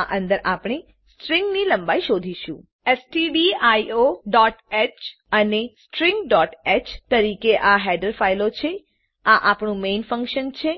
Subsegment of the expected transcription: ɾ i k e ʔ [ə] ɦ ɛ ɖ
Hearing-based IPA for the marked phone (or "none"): a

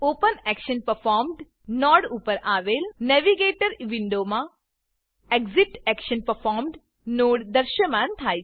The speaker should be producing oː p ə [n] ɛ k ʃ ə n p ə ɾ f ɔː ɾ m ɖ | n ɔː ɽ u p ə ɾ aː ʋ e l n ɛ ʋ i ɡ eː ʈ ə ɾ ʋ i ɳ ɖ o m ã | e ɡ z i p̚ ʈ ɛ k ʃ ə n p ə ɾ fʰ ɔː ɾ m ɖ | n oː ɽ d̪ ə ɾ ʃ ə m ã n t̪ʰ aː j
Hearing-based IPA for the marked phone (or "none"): n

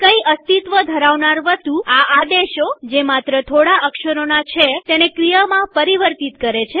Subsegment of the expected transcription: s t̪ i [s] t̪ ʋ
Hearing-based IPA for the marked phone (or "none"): none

